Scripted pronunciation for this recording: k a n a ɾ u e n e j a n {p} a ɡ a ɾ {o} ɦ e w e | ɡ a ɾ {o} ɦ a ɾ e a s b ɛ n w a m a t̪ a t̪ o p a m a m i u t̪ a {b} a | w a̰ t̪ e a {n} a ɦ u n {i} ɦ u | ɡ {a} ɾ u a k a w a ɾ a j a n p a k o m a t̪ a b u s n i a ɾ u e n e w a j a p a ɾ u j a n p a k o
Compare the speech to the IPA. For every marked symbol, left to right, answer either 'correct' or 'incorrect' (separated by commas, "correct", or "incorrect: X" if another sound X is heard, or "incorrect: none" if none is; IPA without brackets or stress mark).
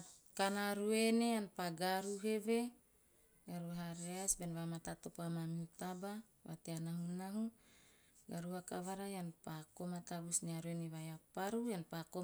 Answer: correct, incorrect: u, incorrect: u, correct, correct, incorrect: a, correct